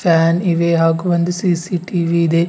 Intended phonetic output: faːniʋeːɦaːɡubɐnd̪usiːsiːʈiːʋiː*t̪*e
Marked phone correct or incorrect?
incorrect